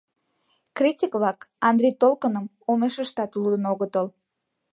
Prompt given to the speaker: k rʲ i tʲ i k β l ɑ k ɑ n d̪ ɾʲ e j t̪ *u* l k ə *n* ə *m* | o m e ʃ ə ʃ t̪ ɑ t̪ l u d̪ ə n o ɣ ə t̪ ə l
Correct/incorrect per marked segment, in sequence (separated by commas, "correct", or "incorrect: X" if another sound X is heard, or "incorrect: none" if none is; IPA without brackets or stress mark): incorrect: o, correct, correct